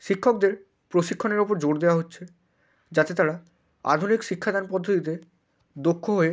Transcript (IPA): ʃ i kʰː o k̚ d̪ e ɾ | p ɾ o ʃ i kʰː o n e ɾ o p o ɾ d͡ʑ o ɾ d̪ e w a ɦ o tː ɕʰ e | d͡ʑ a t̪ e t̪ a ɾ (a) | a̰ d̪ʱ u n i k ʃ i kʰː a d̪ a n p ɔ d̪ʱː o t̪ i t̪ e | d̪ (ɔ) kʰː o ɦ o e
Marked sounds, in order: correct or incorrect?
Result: correct, incorrect: o

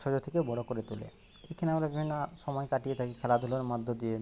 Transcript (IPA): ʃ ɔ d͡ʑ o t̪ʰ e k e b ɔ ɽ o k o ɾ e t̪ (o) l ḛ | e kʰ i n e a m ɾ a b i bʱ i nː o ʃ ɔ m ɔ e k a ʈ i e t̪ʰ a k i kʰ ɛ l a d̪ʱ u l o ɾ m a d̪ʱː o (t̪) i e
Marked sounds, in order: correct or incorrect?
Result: incorrect: u, incorrect: d̪

